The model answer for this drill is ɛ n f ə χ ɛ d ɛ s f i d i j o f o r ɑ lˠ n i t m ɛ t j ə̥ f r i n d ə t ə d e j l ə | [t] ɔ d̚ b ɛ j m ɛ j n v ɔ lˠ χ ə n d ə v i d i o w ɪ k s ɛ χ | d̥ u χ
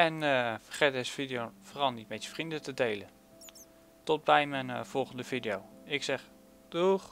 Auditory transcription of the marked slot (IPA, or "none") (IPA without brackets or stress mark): t